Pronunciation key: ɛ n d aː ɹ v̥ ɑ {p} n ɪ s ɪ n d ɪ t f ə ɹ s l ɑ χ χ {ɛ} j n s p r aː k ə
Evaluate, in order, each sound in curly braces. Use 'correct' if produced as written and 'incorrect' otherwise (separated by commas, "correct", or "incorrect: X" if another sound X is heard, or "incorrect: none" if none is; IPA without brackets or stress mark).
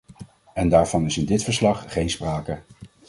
incorrect: none, incorrect: e